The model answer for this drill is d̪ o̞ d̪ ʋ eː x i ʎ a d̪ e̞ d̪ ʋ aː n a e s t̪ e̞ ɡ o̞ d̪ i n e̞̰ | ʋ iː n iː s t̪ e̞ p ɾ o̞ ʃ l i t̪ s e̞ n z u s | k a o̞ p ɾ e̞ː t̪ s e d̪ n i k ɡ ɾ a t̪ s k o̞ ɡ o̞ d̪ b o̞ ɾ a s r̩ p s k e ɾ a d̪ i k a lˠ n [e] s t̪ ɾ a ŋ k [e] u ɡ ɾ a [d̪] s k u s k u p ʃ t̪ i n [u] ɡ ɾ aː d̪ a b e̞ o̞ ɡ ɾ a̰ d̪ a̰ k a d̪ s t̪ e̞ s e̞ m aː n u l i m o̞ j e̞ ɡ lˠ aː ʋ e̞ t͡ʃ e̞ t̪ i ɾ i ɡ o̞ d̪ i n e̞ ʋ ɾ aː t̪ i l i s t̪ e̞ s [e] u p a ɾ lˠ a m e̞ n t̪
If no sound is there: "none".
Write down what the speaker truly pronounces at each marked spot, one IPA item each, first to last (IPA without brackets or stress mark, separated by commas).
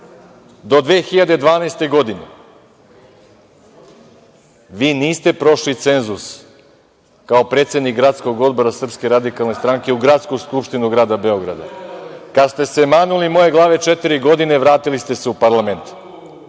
e, e, t̪, u, e